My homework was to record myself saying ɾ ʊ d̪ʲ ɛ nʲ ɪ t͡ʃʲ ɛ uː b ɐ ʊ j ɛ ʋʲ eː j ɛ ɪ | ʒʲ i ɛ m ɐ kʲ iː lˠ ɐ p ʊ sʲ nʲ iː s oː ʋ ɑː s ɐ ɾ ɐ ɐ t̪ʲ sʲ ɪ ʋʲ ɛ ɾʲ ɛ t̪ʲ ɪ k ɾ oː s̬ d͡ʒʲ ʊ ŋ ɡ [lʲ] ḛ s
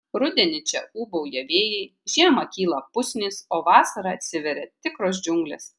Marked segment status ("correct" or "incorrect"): correct